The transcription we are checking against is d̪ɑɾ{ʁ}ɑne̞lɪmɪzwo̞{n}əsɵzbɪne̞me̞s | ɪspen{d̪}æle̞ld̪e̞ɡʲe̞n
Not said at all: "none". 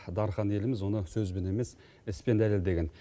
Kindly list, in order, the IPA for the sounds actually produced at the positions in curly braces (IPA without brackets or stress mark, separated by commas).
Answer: χ, n, d̪